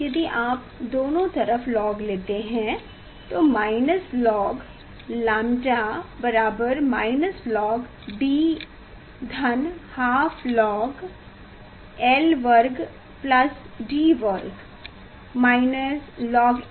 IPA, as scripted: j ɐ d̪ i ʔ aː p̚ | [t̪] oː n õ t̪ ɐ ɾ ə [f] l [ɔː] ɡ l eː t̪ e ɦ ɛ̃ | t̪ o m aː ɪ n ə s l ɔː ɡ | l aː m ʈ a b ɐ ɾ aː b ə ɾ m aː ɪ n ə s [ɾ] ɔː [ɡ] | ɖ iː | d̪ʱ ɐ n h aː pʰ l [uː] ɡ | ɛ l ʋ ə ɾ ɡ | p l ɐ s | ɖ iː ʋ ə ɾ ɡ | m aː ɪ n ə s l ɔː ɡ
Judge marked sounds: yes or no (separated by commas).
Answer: no, yes, yes, no, yes, no